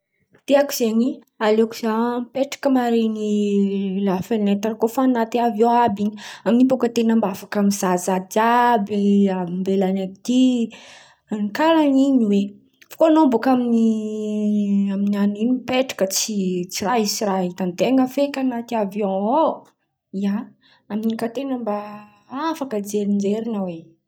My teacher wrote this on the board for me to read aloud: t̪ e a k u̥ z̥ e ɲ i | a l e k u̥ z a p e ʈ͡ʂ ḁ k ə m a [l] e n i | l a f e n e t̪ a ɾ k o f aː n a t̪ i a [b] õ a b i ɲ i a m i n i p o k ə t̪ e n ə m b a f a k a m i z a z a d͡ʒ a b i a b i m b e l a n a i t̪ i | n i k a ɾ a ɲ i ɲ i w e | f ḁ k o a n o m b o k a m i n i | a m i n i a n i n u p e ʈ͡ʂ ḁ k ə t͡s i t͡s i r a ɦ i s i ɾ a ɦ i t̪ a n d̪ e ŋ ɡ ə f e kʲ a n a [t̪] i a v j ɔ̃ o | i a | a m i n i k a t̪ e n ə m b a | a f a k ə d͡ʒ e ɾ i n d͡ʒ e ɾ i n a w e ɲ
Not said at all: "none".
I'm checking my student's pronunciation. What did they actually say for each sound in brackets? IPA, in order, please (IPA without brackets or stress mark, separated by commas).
ɾ, v, t̪